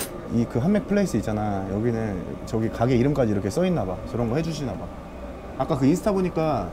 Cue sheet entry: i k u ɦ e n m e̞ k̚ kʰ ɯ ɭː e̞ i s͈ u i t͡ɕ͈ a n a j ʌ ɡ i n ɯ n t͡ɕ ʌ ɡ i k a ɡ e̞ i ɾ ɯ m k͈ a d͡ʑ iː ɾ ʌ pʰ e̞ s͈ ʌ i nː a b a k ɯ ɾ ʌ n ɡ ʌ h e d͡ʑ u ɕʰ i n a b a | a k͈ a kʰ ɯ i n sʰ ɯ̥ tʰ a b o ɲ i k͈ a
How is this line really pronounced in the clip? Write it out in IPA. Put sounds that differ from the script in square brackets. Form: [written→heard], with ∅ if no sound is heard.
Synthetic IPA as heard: i k [u→ɯ] ɦ [e→a] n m e̞ k̚ [kʰ→pʰ] ɯ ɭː e̞ i s͈ [u→ɯ] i t͡ɕ͈ a n a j ʌ ɡ i n ɯ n t͡ɕ ʌ ɡ i k a ɡ e̞ i ɾ ɯ m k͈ a d͡ʑ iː ɾ ʌ [pʰ→kʰ] e̞ s͈ ʌ i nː a b a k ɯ ɾ ʌ n ɡ ʌ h e d͡ʑ u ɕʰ i n a b a | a k͈ a [kʰ→k] ɯ i n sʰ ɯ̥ tʰ a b o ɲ i k͈ a